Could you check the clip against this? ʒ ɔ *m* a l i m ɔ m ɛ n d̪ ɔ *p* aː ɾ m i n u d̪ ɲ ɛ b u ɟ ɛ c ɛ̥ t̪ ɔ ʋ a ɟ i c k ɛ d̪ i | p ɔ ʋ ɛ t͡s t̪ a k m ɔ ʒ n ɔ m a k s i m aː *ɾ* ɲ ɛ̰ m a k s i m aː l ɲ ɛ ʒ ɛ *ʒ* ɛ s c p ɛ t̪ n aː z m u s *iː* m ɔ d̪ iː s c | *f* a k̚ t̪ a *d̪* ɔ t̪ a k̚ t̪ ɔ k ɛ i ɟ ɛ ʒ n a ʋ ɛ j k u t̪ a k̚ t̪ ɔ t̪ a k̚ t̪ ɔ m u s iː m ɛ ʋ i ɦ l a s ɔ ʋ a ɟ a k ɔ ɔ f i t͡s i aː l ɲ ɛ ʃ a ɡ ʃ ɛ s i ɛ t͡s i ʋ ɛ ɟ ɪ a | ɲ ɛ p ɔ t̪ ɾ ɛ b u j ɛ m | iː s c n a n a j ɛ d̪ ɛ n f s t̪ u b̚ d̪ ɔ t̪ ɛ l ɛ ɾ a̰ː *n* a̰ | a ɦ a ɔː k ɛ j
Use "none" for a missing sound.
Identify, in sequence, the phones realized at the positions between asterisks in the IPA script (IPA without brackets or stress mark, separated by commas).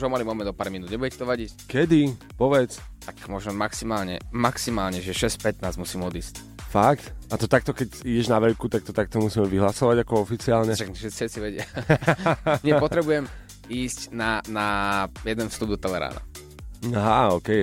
m, p, l, ʃ, iː, f, t̪, n